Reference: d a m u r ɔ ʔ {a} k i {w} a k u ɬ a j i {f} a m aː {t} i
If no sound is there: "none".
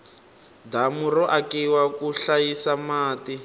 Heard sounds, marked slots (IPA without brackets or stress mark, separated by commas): a, w, s, t